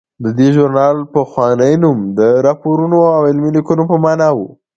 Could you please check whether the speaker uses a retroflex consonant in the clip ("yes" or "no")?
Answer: no